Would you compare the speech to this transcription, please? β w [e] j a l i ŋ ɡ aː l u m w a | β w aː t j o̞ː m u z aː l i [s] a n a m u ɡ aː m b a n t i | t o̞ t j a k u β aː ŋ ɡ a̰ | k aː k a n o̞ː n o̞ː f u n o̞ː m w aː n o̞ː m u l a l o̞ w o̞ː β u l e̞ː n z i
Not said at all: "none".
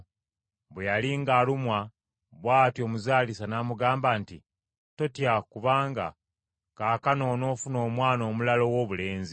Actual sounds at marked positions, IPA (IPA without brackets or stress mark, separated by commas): e, s